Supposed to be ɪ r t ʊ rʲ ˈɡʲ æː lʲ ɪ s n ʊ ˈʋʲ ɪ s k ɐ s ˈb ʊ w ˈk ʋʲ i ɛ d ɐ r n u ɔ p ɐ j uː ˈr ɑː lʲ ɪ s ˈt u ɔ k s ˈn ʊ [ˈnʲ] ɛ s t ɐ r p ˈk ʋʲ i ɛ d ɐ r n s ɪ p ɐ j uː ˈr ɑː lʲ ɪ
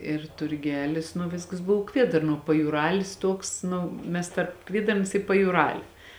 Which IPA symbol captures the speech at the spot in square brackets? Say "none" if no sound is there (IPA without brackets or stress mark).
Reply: mʲ